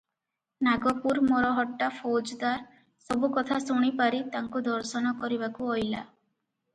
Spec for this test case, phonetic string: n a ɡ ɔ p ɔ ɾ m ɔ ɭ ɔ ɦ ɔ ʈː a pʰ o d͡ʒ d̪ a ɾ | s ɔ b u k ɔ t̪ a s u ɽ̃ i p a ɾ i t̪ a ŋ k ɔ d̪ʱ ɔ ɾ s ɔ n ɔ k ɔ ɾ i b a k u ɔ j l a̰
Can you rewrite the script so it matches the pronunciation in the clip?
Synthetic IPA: n a ɡ ɔ p u ɾ m ɔ ɾ ɔ ɦ ɔ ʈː a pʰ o d͡ʒ d̪ a ɾ | s ɔ b u k ɔ t̪ʰ a s u ɽ̃ i p a ɾ i t̪ a ŋ k u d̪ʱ ɔ ɾ s ɔ n ɔ k ɔ ɾ i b a k u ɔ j l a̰

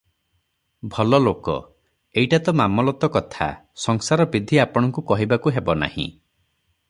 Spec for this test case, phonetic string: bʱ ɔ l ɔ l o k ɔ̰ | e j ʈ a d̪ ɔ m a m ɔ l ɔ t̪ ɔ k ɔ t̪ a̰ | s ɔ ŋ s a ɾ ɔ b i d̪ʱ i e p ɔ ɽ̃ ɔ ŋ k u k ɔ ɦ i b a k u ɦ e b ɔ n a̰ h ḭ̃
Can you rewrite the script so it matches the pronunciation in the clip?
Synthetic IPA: bʱ ɔ l ɔ l o k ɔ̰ | e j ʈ a t̪ ɔ m a m ɔ l ɔ t̪ ɔ k ɔ t̪ʰ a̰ | s ɔ ŋ s a ɾ ɔ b i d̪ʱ i a p ɔ ɽ̃ ɔ ŋ k u k ɔ ɦ i b a k u ɦ e b ɔ n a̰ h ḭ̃

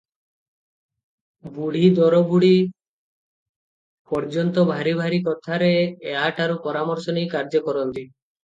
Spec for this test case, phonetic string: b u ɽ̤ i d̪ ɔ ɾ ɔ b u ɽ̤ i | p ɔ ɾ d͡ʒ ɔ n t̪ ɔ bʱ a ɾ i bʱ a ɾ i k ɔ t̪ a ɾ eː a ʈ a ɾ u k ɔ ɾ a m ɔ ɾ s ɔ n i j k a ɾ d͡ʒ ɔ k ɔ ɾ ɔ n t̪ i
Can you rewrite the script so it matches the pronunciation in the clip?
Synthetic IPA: b u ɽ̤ i d̪ ɔ ɾ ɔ b u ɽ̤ i | p ɔ ɾ d͡ʒ ɔ n t̪ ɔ bʱ a ɾ i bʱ a ɾ i k ɔ t̪ʰ a ɾ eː a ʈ a ɾ u p ɔ ɾ a m ɔ ɾ s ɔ n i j k a ɾ d͡ʒ ɔ k ɔ ɾ ɔ n t̪ i

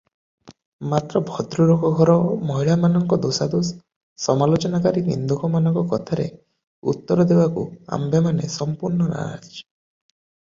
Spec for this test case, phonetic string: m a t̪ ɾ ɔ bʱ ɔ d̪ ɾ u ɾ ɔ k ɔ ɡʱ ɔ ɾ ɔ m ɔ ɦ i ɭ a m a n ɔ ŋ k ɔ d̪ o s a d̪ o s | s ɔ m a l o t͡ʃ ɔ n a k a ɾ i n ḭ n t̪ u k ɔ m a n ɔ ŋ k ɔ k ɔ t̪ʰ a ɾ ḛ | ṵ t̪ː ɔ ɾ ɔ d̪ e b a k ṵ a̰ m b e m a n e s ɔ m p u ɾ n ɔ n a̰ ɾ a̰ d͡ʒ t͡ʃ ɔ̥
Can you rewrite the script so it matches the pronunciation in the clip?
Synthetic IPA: m a t̪ ɾ ɔ bʱ ɔ d̪ ɾ u ɾ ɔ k ɔ ɡʱ ɔ ɾ ɔ m ɔ ɦ i ɭ a m a n ɔ ŋ k ɔ d̪ o s a d̪ o s | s ɔ m a l o t͡ʃ ɔ n a k a ɾ i n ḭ n d̪ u k ɔ m a n ɔ ŋ k ɔ k ɔ t̪ʰ a ɾ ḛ | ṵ t̪ː ɔ ɾ ɔ d̪ e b a k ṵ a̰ m b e m a n e s ɔ m p u ɾ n ɔ n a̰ ɾ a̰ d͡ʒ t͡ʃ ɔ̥

